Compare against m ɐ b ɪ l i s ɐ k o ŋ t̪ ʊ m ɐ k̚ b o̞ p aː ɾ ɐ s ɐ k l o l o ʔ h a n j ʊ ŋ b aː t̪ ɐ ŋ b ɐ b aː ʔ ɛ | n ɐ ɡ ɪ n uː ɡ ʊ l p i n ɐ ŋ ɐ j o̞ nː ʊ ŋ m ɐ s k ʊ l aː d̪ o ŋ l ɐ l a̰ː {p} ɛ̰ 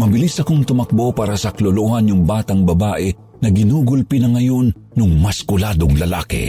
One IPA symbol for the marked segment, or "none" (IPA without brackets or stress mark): k